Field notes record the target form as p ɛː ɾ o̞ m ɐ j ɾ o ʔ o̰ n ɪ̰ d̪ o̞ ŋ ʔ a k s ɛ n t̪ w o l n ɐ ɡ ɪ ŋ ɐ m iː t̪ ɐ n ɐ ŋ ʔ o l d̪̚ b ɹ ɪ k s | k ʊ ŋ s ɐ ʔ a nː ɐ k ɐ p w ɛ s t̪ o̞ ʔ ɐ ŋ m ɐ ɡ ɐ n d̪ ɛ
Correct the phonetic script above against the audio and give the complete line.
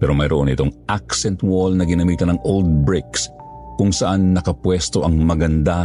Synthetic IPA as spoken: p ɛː ɾ o̞ m ɐ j ɾ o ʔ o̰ n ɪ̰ t̪ o̞ ŋ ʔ a k s ɛ n t̪ w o l n ɐ ɡ ɪ n ɐ m iː t̪ ɐ n ɐ ŋ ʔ o l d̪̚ b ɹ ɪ k s | k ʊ ŋ s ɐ ʔ a nː ɐ k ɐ p w ɛ s t̪ o̞ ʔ ɐ ŋ m ɐ ɡ ɐ n d̪ a